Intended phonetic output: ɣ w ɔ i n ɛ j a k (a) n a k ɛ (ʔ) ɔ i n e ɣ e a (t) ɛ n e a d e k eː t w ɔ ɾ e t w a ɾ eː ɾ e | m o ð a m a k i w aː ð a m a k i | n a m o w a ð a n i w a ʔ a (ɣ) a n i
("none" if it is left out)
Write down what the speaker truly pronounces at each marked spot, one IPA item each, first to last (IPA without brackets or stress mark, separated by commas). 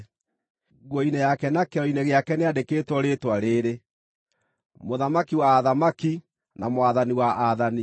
ɛ, none, k, ð